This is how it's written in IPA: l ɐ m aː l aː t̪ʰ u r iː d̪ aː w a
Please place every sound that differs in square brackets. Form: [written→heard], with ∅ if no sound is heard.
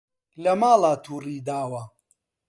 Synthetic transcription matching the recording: l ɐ m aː l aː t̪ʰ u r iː d̪ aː w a

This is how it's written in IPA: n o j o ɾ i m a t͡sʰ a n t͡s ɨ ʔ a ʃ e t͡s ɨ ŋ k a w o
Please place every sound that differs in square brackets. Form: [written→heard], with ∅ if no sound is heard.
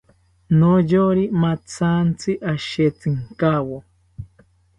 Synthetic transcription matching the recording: n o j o ɾ i m a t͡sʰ a n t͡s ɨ ʔ a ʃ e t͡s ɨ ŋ k a w o

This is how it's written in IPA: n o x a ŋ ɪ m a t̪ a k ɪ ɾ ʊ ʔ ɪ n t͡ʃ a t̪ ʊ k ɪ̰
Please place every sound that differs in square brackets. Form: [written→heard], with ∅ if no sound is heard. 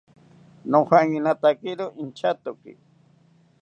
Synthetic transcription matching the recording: n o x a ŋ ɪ [m→n] a t̪ a k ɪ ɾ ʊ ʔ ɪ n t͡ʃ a t̪ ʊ k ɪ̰

